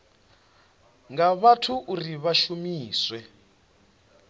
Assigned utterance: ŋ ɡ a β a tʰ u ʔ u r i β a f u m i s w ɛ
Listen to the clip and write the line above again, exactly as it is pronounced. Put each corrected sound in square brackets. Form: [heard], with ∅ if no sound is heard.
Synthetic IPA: ŋ ɡ a β a tʰ u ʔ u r i β a [ʃ] u m [iː] s w ɛ